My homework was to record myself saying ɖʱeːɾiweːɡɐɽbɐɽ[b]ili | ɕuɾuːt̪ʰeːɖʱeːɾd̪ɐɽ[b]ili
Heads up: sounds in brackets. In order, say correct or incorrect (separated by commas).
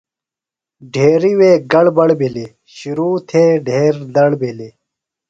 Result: correct, correct